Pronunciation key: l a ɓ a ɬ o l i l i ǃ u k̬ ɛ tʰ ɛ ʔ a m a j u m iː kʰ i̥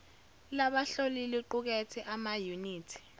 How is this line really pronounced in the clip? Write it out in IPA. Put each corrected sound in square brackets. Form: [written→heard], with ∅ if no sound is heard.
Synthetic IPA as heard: l a ɓ a ɬ o l i l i ǃ u k̬ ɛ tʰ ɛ ʔ a m a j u [m→n] iː [kʰ→tʰ] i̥